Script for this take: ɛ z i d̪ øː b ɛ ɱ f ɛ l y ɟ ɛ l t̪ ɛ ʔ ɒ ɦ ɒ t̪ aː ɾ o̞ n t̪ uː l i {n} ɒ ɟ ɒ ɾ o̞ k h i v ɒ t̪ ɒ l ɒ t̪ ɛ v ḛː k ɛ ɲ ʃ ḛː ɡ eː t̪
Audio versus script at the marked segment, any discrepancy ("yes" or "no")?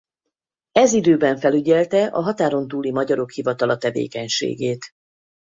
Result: yes